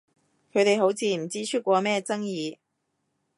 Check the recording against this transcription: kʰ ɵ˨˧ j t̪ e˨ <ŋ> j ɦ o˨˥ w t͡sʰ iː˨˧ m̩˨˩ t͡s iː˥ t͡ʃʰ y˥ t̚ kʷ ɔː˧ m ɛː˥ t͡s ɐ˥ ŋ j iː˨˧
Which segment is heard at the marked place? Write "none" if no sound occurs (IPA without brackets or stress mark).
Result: none